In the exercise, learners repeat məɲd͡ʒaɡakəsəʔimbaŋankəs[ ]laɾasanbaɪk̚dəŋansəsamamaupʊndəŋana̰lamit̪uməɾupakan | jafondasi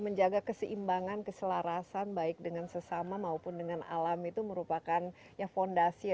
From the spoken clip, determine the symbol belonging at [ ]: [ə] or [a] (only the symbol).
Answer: ə